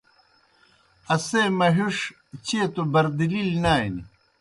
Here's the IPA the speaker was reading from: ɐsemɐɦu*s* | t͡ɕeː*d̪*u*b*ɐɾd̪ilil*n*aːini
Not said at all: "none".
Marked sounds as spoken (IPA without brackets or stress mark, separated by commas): ʂ, t̪, b, n